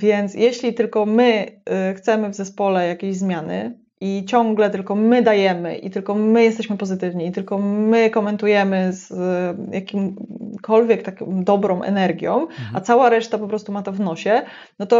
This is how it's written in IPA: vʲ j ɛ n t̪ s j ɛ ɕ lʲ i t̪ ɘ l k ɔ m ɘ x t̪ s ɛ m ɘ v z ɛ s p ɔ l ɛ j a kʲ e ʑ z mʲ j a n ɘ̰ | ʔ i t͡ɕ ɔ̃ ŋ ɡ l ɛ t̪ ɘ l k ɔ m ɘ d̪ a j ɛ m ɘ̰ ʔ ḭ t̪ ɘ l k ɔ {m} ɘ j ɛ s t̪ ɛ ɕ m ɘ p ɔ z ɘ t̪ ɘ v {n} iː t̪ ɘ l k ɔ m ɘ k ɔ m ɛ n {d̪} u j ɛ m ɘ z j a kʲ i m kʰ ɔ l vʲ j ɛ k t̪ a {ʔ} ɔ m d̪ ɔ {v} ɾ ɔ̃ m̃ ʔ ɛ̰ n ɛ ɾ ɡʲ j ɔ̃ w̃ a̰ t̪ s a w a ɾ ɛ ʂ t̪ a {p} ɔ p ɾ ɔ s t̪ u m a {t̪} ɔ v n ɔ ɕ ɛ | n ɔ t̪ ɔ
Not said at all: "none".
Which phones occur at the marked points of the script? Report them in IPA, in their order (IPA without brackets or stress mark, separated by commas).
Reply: m, ɲ, t̪, k, b, p, t̪